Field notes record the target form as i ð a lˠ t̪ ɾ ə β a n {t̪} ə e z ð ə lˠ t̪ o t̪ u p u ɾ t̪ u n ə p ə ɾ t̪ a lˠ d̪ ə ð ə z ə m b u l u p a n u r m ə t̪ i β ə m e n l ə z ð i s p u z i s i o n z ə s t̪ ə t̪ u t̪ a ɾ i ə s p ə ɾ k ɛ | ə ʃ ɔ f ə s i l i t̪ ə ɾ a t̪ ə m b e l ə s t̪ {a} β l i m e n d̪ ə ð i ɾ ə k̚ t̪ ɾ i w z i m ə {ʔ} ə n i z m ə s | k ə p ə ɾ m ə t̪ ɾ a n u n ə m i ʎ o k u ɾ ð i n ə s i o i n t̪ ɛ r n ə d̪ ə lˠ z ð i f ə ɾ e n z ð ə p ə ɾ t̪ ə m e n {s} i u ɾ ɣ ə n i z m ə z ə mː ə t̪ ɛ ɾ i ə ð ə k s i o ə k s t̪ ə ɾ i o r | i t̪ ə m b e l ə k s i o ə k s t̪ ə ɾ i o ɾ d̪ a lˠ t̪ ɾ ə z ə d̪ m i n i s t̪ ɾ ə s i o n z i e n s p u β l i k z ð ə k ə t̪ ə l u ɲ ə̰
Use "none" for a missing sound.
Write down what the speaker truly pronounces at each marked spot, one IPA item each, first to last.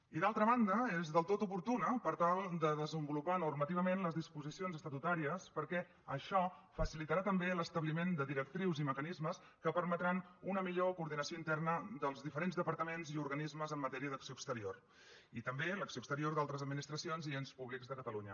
d̪, ə, k, z

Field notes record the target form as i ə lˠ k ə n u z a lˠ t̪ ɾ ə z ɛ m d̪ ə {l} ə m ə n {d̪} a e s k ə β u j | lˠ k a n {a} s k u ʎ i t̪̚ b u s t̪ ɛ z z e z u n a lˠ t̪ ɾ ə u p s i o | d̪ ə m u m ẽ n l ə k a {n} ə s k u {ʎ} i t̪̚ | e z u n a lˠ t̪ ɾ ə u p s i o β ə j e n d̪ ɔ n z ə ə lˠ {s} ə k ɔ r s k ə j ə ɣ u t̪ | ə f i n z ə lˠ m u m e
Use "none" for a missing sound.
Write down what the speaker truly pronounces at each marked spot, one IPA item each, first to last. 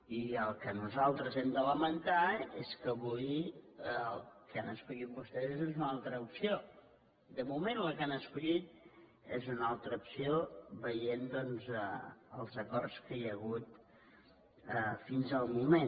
l, t̪, ə, n, ʎ, z

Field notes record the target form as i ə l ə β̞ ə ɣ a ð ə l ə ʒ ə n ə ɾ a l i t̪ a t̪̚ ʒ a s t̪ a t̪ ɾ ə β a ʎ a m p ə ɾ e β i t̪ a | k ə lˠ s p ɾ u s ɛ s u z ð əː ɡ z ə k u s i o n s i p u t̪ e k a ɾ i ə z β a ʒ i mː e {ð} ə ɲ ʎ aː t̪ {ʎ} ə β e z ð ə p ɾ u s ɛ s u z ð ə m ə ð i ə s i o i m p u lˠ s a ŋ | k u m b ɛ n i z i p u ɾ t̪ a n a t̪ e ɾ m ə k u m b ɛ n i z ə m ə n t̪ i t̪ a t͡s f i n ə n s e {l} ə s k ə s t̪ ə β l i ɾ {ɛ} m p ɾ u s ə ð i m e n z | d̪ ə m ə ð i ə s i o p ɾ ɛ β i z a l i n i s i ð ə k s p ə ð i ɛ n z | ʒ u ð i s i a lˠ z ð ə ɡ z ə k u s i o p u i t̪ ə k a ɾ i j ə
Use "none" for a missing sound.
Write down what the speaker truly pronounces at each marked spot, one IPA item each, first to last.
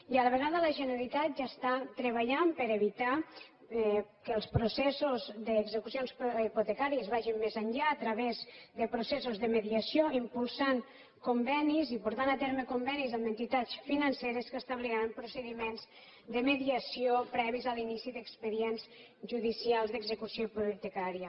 z, ɾ, ɾ, a

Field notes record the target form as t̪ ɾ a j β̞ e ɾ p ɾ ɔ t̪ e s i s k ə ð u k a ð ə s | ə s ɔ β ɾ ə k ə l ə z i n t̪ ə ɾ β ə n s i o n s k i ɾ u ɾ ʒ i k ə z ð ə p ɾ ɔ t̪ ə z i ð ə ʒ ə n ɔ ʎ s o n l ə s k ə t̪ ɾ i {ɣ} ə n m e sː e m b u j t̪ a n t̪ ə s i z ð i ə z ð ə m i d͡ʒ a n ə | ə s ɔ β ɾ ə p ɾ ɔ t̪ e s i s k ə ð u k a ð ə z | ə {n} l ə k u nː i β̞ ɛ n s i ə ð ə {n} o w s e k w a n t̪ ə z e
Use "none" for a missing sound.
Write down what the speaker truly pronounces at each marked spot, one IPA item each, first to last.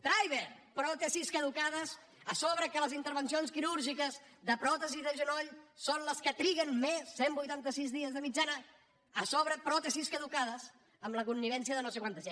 ɣ, m, n

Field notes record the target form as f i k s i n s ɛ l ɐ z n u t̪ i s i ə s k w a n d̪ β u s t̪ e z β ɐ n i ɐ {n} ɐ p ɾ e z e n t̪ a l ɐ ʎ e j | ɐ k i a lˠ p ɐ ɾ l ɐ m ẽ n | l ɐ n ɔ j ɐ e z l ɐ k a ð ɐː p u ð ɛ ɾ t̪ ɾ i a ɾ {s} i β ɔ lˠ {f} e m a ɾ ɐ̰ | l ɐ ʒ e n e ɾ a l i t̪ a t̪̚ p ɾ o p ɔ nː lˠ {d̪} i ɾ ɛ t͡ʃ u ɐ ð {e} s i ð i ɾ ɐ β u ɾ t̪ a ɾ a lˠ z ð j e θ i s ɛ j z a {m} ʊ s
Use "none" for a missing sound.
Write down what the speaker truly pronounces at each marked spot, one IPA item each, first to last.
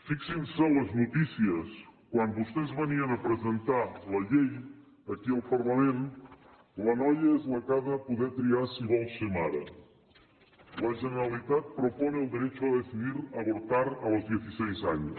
n, s, s, d̪, e, ɲ

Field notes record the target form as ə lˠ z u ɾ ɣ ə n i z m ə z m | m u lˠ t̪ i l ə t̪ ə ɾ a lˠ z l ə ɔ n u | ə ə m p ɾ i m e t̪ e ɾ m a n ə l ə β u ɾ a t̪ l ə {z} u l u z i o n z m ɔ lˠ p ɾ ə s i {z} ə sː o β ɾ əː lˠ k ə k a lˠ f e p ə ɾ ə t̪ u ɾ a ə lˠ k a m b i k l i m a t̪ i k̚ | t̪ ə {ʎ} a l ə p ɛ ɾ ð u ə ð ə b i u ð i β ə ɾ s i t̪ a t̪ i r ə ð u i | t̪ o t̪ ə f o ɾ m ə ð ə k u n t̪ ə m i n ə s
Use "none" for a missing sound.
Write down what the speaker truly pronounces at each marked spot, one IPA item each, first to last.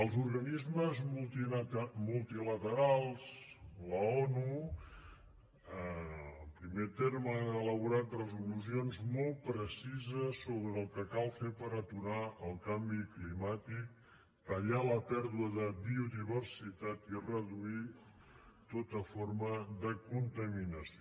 z, z, ʎ

